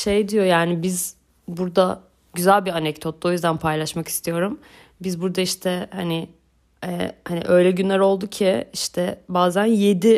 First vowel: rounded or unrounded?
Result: unrounded